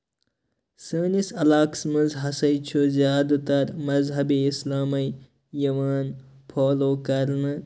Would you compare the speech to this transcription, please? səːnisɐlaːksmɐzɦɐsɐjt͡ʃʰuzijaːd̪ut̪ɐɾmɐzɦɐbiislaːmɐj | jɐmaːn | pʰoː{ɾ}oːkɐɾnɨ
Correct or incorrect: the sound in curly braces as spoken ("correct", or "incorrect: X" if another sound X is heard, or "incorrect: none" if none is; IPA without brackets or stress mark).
incorrect: l